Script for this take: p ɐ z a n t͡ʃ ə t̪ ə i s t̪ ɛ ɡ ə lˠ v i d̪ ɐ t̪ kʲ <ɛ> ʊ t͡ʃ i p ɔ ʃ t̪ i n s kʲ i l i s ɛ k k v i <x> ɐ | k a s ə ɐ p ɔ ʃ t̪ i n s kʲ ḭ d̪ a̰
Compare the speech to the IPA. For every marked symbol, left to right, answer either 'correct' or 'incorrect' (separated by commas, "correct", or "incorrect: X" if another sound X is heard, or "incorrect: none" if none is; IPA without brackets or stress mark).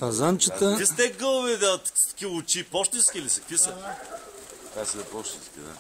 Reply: incorrect: i, incorrect: s